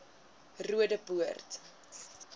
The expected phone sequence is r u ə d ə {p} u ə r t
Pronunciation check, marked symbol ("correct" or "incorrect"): correct